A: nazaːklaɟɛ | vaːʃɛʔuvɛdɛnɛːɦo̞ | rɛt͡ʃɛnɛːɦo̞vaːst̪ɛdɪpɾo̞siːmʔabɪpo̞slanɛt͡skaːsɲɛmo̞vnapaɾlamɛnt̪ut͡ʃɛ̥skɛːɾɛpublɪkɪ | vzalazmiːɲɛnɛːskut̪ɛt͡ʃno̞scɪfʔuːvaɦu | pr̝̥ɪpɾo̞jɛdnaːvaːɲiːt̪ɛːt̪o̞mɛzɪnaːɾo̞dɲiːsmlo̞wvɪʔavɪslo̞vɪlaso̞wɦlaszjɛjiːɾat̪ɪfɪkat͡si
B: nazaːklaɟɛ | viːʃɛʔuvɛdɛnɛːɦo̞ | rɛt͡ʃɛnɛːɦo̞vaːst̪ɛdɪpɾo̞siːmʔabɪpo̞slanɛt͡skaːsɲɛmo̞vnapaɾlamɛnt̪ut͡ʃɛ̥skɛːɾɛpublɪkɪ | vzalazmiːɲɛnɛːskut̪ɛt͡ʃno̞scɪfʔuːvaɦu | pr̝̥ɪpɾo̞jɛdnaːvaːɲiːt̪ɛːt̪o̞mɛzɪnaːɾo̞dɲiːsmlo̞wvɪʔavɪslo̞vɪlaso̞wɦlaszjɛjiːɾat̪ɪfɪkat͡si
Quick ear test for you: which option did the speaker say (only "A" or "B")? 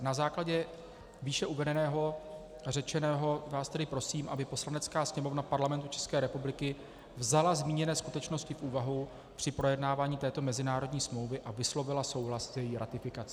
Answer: B